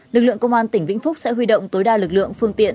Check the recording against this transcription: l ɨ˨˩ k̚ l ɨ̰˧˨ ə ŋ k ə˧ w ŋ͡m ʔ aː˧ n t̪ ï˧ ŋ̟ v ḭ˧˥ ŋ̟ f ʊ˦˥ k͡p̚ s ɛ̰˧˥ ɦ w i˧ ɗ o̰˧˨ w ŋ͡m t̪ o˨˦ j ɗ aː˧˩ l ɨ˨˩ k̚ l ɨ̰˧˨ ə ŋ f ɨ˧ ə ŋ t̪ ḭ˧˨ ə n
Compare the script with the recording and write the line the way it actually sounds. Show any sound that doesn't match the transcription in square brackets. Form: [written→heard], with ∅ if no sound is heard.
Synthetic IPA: l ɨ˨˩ k̚ l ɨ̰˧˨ ə ŋ k ə˧ w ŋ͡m ʔ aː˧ n t̪ [ï˧→ï˧˩] ŋ̟ v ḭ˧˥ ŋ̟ f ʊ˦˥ k͡p̚ s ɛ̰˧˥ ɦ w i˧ ɗ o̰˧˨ w ŋ͡m t̪ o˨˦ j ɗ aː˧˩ l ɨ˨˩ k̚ l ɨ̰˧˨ ə ŋ f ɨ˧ ə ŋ t̪ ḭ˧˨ ə n